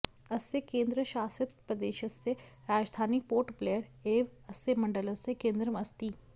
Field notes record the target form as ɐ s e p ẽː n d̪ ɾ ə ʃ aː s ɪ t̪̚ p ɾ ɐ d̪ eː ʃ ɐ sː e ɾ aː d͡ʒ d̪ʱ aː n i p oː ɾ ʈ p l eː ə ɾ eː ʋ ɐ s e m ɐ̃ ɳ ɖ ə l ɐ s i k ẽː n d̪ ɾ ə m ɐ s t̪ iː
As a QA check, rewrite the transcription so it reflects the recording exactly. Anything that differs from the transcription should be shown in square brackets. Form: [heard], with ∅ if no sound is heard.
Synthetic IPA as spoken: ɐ s e [k] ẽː n d̪ ɾ ə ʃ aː s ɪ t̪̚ p ɾ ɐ d̪ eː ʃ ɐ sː e ɾ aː d͡ʒ d̪ʱ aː n i p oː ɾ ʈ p l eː ə ɾ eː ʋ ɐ s e m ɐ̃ ɳ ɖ ə l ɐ s [e] k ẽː n d̪ ɾ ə m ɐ s t̪ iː

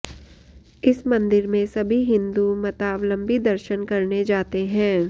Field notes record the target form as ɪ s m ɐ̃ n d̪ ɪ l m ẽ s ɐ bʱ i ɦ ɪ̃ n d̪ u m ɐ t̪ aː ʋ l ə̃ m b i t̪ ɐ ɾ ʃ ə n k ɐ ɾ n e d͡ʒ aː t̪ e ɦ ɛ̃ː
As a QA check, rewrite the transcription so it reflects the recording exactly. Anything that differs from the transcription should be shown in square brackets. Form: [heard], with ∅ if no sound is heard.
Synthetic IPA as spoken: ɪ s m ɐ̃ n d̪ ɪ [ɾ] m ẽ s ɐ bʱ i ɦ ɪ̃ n d̪ u m ɐ t̪ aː ʋ l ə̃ m b i [d̪] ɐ ɾ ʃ ə n k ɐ ɾ n e d͡ʒ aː t̪ e ɦ ɛ̃ː

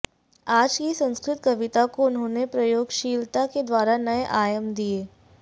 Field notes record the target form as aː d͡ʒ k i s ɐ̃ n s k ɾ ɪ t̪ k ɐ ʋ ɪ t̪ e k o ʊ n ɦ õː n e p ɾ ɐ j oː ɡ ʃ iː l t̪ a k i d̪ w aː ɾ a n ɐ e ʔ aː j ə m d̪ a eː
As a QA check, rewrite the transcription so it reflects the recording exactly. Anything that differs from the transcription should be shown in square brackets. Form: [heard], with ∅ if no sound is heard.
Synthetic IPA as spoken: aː d͡ʒ k i s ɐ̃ n s k ɾ ɪ t̪ k ɐ ʋ ɪ t̪ [a] k o ʊ n ɦ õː n e p ɾ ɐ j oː ɡ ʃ iː l t̪ a k [e] d̪ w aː ɾ a n ɐ e ʔ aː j ə m d̪ [i] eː

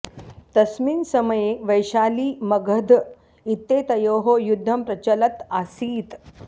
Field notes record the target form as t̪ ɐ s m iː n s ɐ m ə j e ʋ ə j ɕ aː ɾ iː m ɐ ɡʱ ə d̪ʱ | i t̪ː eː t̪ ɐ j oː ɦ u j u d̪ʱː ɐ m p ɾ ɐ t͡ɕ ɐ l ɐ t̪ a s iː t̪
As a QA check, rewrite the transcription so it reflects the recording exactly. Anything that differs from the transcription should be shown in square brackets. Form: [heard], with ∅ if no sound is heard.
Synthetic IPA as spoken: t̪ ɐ s m iː n s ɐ m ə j e ʋ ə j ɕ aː [l] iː m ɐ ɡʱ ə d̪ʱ | i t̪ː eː t̪ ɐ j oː ɦ [o] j u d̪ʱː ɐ m p ɾ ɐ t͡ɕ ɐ l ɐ t̪ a s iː t̪

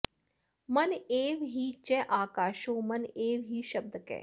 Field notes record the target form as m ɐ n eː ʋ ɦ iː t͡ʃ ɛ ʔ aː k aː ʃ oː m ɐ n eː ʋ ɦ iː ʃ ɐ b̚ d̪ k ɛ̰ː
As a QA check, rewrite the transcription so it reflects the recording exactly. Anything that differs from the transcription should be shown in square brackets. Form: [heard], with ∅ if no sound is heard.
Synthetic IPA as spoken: m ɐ n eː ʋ ɦ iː t͡ʃ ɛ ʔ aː k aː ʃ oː m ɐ n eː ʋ ɦ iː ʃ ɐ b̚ d̪ k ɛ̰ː

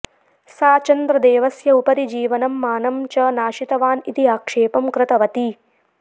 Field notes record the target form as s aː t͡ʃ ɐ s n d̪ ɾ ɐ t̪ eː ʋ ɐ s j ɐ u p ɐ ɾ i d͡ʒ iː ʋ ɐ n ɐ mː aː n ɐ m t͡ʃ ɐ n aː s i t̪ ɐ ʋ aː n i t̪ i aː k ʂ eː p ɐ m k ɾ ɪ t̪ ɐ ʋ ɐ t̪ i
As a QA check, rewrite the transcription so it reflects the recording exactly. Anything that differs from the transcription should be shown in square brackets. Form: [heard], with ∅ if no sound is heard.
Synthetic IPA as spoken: s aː t͡ʃ ɐ [∅] n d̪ ɾ ɐ [d̪] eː ʋ ɐ s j ɐ u p ɐ ɾ i d͡ʒ iː ʋ ɐ n ɐ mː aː n ɐ m t͡ʃ ɐ n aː [ʃ] i t̪ ɐ ʋ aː n i t̪ i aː k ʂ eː p ɐ m k ɾ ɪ t̪ ɐ ʋ ɐ t̪ i

